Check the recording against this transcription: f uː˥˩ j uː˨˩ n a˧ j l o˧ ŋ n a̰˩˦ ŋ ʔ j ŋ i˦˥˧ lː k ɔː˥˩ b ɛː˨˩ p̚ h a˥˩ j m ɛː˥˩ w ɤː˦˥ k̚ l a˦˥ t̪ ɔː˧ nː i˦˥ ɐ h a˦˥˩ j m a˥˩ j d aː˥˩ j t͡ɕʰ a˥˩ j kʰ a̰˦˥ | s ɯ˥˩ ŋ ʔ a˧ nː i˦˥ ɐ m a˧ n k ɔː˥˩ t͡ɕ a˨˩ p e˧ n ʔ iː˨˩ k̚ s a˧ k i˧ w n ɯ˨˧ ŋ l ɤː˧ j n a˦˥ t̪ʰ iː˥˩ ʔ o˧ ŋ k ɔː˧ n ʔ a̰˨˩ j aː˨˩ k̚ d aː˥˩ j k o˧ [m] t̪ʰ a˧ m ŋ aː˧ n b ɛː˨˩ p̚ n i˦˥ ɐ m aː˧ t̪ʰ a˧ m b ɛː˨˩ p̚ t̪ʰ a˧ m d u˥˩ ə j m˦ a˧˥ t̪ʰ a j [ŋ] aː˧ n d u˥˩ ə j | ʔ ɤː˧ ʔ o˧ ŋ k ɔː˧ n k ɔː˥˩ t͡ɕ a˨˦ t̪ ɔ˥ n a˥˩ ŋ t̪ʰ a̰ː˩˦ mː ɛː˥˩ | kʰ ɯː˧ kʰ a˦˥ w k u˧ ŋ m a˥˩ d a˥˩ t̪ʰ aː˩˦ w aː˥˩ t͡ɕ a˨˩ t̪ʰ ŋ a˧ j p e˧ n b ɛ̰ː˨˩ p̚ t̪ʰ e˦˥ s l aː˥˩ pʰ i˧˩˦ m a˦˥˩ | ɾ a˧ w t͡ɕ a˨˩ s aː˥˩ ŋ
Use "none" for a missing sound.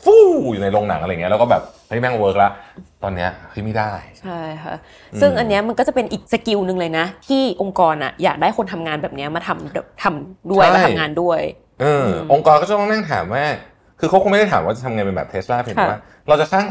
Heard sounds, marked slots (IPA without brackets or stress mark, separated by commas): n, ŋ